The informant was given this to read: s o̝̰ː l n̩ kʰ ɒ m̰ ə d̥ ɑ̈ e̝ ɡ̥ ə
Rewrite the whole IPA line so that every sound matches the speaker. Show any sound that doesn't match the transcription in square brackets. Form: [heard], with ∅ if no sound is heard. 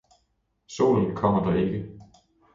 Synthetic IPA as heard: s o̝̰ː l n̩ kʰ ɒ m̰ [ɐ] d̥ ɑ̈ e̝ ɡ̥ ə